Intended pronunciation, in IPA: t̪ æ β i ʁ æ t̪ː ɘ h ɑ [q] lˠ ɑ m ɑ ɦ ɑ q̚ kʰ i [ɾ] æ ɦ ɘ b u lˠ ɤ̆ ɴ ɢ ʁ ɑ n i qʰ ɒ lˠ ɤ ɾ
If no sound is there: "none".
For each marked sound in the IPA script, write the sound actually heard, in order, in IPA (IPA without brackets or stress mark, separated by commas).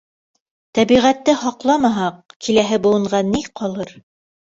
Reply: q, l